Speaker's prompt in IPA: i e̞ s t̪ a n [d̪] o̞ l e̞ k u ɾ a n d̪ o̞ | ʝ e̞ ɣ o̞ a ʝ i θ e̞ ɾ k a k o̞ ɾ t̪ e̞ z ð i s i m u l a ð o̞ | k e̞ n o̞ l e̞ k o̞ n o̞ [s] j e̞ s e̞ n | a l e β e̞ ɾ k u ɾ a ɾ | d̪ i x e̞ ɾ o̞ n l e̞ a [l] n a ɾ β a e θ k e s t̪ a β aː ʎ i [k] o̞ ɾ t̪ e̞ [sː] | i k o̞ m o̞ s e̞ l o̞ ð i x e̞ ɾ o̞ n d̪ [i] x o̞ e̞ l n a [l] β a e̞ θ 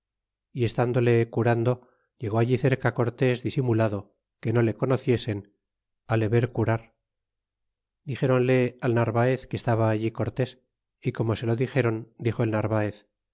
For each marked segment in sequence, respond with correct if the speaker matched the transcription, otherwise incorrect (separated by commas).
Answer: correct, incorrect, correct, correct, incorrect, correct, incorrect